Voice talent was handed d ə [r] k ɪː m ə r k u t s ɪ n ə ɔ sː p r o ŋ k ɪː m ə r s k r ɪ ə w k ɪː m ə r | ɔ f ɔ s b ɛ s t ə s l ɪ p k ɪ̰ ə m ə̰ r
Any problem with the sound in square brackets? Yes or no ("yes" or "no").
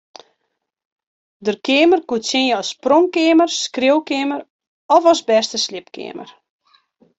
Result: no